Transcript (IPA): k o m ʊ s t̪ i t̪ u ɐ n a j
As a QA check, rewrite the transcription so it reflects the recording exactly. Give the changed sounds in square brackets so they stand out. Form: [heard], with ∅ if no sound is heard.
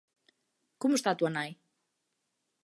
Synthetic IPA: k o m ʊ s t̪ [a] t̪ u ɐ n a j